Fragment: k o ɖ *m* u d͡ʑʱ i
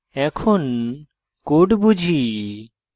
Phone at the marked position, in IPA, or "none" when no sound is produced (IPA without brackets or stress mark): b